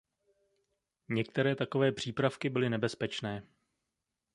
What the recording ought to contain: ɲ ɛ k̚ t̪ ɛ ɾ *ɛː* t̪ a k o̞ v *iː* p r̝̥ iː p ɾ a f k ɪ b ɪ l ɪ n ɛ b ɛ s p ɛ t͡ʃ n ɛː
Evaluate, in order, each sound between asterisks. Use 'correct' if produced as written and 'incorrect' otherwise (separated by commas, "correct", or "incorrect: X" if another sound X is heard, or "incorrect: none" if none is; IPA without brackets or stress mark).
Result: correct, incorrect: ɛː